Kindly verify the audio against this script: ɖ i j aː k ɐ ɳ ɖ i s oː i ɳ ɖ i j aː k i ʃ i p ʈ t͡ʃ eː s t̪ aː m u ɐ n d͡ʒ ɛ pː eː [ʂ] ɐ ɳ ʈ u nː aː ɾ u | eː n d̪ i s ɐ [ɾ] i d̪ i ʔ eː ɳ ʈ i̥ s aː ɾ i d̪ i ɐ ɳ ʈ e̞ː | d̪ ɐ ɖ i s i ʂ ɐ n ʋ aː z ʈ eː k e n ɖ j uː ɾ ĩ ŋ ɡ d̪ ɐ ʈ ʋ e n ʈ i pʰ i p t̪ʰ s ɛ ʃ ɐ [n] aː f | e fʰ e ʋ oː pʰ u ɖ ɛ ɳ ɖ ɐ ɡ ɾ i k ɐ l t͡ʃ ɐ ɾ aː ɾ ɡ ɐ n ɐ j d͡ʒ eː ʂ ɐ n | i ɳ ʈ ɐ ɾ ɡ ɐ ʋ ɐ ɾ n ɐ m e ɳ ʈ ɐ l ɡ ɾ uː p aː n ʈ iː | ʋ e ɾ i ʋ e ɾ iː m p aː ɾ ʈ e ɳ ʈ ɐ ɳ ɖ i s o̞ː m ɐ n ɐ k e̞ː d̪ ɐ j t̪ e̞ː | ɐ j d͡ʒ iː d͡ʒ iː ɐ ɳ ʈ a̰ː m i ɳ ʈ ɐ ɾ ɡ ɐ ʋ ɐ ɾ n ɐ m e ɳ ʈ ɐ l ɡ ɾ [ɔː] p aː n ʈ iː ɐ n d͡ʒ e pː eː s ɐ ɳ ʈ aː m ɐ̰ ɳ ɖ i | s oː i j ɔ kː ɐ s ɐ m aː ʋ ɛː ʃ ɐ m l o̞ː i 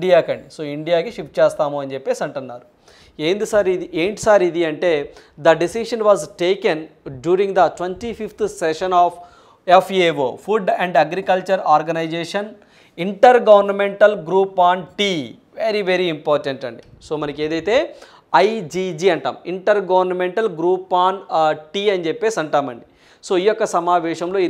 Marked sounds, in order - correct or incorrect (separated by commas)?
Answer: incorrect, correct, correct, incorrect